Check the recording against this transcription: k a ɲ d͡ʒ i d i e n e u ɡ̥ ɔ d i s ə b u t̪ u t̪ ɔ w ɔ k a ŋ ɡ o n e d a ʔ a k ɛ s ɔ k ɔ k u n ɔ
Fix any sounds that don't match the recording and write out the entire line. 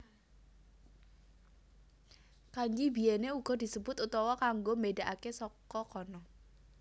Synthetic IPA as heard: k a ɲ d͡ʒ i b i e n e u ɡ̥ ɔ d i s ə b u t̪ u t̪ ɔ w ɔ k a ŋ ɡ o m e d a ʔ a k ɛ s ɔ k ɔ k ɔ n ɔ